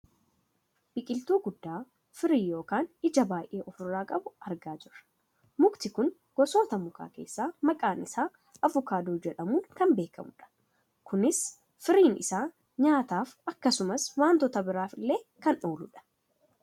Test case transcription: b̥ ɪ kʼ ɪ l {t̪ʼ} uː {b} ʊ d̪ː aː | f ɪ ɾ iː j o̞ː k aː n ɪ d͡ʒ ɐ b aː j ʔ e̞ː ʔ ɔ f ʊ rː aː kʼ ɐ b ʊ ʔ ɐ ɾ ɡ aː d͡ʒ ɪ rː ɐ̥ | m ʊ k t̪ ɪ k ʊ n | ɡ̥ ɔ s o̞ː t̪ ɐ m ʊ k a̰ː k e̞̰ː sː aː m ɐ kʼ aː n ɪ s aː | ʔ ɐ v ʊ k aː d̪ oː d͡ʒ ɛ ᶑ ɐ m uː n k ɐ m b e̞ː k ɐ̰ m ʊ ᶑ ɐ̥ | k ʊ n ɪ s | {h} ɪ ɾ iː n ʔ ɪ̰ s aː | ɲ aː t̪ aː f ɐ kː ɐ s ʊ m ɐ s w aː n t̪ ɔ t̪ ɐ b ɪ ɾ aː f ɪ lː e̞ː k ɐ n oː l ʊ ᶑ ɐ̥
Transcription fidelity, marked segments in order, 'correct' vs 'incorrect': incorrect: t̪, incorrect: ɡ, incorrect: f

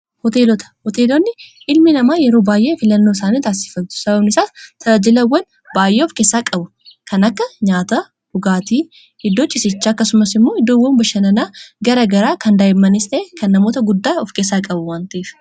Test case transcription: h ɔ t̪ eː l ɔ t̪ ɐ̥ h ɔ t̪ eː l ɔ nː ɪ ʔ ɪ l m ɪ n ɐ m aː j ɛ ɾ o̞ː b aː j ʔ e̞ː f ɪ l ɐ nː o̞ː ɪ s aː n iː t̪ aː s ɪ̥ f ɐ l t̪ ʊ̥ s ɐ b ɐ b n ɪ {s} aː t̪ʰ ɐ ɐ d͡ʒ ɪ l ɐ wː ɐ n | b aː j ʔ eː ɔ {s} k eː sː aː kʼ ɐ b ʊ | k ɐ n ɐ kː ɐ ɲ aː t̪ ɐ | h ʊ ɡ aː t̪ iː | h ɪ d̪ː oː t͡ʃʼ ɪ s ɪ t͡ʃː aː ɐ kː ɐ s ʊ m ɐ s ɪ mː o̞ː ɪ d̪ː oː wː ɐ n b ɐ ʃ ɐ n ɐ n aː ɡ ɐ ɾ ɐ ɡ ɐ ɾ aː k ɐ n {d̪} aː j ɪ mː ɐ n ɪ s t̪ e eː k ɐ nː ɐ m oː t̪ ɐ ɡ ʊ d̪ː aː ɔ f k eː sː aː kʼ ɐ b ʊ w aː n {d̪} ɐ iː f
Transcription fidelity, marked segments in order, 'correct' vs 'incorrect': correct, incorrect: f, correct, incorrect: t̪

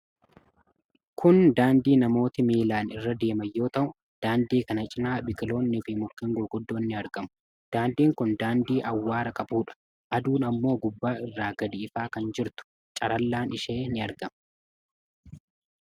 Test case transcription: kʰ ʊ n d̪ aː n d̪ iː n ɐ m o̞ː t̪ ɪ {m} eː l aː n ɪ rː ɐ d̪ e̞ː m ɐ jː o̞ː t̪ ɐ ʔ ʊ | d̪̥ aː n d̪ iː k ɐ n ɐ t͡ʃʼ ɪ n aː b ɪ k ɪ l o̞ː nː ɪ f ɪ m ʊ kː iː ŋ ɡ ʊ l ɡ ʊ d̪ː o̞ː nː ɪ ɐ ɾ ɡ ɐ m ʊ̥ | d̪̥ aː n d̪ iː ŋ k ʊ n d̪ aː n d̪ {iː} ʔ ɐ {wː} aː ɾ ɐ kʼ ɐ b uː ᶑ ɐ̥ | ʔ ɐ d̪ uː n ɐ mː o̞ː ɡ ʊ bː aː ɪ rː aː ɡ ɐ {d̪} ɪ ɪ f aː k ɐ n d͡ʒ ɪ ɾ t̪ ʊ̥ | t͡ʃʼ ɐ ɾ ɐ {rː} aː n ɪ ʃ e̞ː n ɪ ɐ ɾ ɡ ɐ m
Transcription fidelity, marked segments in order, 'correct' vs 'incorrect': correct, correct, correct, correct, incorrect: lː

